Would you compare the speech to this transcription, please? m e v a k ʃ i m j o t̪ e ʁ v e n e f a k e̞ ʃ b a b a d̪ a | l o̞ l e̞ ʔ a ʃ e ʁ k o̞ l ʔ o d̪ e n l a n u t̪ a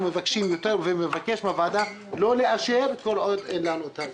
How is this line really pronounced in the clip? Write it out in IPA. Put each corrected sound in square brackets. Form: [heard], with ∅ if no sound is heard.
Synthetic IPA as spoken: m e v a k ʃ i m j o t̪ e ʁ v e [m] e [v] a k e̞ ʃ [m] a [v] a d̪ a | l o̞ l e̞ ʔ a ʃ e ʁ k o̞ l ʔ o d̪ e n l a n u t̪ a